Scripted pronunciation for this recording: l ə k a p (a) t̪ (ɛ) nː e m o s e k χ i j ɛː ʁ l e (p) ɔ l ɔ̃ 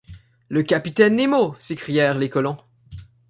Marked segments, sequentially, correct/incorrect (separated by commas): incorrect, correct, incorrect